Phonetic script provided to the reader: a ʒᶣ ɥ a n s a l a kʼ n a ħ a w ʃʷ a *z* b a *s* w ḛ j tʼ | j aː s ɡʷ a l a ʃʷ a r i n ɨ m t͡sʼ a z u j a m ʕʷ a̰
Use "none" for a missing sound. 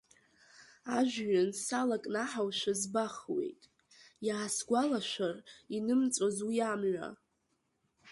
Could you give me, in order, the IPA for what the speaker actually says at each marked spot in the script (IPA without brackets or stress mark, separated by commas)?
z, χ